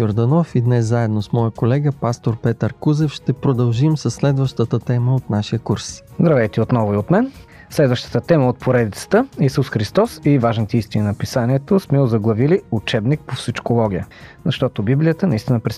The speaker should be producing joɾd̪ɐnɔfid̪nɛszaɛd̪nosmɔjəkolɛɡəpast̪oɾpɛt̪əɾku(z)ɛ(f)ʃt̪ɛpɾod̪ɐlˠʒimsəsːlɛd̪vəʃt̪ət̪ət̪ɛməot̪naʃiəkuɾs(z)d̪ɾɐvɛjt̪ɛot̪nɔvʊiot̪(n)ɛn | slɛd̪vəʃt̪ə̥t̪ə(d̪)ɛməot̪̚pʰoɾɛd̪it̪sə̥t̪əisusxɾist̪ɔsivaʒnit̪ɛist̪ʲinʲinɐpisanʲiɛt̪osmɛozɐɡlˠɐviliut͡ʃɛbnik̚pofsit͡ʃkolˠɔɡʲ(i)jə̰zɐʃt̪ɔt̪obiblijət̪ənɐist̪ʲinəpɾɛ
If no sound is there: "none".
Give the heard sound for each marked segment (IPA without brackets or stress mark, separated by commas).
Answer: z, f, z, m, t̪, i